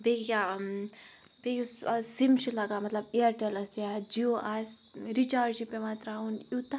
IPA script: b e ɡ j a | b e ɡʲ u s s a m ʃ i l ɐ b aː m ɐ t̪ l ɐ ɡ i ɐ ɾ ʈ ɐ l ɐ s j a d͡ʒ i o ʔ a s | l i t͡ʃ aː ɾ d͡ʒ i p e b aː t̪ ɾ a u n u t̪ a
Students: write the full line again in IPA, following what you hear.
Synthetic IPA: b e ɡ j a | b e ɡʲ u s s i m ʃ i l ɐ ɡ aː m ɐ t̪ l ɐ b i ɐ ɾ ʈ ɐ l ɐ s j a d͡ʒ i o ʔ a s | ɾ i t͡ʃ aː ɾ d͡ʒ i p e m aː t̪ ɾ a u n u t̪ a